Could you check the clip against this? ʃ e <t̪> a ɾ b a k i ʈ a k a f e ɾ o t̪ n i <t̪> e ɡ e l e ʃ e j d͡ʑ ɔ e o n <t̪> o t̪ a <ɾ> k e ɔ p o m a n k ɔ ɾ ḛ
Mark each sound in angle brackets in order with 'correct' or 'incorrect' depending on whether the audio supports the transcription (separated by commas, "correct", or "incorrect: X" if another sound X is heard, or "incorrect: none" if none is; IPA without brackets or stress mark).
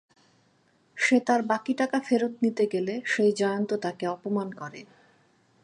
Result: correct, correct, correct, incorrect: none